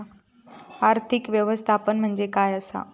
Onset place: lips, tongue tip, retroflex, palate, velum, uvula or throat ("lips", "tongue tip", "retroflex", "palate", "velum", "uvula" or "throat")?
tongue tip